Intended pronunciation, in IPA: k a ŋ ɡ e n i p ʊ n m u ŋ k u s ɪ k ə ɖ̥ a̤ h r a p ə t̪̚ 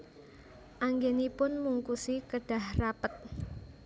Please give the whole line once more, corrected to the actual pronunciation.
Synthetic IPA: ʔ a ŋ ɡ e n i p ʊ n m u ŋ k u s i k ə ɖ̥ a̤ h r a p ə t̪̚

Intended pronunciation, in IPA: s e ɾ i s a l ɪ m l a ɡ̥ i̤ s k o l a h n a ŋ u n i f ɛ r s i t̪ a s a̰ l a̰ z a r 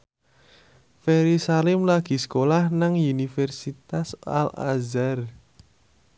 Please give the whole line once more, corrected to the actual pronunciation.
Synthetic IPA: f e ɾ i s a l ɪ m l a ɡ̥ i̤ s k o l a h n a ŋ u n i f ɛ r s i t̪ a s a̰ l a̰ z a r

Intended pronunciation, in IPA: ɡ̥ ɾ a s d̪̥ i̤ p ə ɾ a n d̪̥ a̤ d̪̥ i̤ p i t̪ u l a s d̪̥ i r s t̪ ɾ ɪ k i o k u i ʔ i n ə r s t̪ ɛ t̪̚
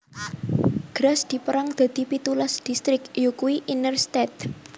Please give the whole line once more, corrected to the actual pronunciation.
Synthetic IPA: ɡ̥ ɾ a s d̪̥ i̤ p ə ɾ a ŋ d̪̥ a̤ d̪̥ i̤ p i t̪ u l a s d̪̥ i s t̪ ɾ ɪ k j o k u i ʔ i n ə r s t̪ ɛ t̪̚

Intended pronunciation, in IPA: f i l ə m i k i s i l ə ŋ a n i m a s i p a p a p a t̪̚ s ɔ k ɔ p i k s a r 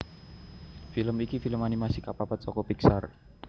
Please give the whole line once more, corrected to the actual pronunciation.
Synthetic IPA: f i l ə m i k i f i l ə m a n i m a s i k a p a p a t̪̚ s ɔ k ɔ p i k s a r

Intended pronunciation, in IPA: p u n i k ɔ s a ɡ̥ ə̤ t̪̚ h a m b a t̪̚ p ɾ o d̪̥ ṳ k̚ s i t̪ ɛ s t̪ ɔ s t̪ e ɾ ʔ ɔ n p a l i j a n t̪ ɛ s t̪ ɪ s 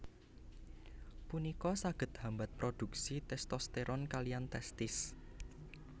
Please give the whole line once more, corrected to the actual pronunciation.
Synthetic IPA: p u n i k ɔ s a ɡ̥ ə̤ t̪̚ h a m b a t̪̚ p ɾ o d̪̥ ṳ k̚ s i t̪ ɛ s t̪ ɔ s t̪ e ɾ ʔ ɔ n k a l i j a n t̪ ɛ s t̪ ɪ s

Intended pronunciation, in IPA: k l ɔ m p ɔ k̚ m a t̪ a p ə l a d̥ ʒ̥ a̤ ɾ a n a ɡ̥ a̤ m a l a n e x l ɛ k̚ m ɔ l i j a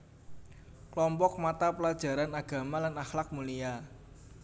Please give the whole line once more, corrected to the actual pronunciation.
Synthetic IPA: k l ɔ m p ɔ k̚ m a t̪ a p ə l a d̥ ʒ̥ a̤ ɾ a n a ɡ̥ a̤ m a l a n a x l a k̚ m u l i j a

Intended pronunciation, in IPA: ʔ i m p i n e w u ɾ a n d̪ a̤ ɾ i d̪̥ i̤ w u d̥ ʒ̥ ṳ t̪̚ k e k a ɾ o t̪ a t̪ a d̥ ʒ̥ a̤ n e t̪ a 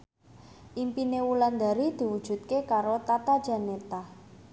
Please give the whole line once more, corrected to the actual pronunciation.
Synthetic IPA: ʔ i m p i n e w u l a n d̪ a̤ ɾ i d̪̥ i̤ w u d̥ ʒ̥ ṳ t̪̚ k e k a ɾ o t̪ a t̪ a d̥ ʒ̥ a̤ n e t̪ a

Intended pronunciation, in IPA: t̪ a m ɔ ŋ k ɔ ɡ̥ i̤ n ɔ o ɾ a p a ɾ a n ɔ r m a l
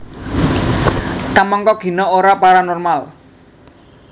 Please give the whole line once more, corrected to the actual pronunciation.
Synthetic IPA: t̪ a m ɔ ŋ k ɔ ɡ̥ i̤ n ɔ o ɾ a p a ɾ a n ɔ r m a l

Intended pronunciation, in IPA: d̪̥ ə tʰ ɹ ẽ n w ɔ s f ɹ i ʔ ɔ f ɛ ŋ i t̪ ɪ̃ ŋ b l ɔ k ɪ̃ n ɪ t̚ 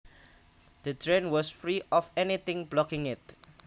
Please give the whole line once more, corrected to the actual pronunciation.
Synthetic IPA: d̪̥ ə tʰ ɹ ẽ n w ɔ s f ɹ i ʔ ɔ f ɛ n i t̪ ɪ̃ ŋ b l ɔ k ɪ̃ ŋ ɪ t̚

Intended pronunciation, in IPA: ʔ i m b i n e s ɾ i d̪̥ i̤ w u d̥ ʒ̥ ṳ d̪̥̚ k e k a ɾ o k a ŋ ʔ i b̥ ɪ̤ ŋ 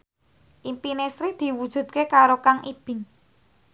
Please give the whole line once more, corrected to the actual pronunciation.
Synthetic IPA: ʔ i m p i n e s ɾ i d̪̥ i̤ w u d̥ ʒ̥ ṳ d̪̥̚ k e k a ɾ o k a ŋ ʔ i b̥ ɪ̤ ŋ

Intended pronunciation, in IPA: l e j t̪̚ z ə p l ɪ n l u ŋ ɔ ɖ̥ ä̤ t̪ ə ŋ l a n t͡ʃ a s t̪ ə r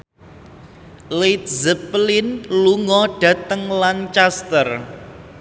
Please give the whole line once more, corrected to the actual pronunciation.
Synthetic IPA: l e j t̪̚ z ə p l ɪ n l u ŋ ɔ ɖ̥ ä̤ t̪ ə ŋ l a n t͡ʃ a s t̪ ə r

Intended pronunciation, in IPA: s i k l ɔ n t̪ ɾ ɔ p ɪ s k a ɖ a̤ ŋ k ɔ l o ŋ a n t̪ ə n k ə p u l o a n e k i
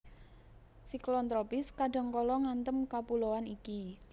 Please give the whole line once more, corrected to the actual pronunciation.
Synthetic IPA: s i k l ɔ n t̪ ɾ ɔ p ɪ s k a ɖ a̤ ŋ k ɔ l ɔ ŋ a n t̪ ə m k a p u l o a n i k i

